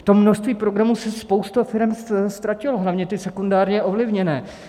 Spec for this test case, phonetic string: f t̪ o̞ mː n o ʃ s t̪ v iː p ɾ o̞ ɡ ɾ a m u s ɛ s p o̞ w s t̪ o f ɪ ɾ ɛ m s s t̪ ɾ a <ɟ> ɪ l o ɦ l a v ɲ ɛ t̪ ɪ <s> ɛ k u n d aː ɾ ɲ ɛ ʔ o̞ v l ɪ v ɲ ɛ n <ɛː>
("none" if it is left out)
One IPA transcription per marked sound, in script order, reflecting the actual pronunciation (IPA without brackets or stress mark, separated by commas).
c, s, ɛː